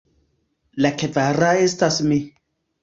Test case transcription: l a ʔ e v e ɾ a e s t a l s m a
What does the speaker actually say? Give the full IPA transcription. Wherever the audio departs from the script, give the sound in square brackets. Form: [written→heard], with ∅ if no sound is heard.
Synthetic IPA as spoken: l a [ʔ→k] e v [e→a] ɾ a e s t a [l→∅] s m [a→i]